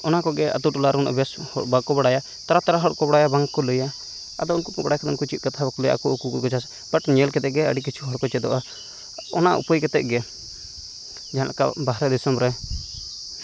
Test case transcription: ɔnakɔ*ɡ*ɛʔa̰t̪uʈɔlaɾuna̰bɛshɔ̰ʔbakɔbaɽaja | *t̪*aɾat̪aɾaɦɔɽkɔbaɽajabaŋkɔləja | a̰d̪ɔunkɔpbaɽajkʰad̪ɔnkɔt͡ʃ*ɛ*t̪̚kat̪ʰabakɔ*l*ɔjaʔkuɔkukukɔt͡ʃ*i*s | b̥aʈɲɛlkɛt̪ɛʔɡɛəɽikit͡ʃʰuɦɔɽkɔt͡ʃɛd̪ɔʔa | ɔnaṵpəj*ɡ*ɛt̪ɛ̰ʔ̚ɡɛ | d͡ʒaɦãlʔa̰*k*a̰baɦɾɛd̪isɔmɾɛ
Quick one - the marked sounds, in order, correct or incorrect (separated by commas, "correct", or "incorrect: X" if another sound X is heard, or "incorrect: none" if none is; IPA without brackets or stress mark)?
correct, correct, incorrect: i, correct, incorrect: a, incorrect: k, correct